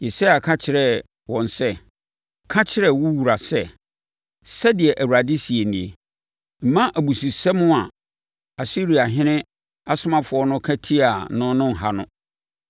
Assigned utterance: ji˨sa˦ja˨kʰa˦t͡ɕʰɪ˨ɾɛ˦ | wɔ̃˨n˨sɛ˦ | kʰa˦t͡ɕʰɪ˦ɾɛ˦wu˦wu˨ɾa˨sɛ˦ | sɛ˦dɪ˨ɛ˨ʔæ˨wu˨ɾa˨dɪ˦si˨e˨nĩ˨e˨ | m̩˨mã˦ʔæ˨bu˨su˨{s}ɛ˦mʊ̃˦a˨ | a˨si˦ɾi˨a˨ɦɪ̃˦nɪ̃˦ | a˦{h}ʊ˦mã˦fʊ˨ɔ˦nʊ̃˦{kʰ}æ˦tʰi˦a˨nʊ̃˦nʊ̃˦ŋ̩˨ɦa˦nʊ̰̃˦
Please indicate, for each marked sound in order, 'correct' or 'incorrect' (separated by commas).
correct, incorrect, correct